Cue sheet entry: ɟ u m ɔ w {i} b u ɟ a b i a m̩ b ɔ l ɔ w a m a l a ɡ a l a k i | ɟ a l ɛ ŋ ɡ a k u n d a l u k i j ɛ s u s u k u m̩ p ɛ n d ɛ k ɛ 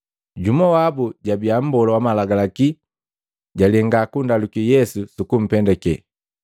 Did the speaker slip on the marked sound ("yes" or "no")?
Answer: yes